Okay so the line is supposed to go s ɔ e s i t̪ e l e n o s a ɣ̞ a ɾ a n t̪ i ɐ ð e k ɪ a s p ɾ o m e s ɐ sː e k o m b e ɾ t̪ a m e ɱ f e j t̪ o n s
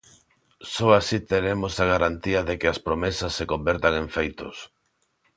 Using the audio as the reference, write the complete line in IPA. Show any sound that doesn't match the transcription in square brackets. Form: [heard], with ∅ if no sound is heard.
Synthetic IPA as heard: s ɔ [a] s i t̪ e [ɾ] e [m] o s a ɣ̞ a ɾ a n t̪ i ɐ ð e k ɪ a s p ɾ o m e s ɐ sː e k o m b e ɾ t̪ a [ŋ] e ɱ f e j t̪ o [∅] s